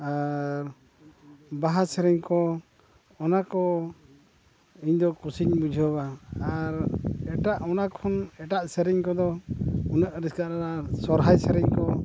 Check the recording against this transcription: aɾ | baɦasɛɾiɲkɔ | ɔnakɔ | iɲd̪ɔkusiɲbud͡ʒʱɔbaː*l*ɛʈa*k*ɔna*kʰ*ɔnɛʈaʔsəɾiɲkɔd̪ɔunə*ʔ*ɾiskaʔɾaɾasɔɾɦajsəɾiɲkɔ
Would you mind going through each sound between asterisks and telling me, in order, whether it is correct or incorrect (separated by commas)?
incorrect, incorrect, correct, correct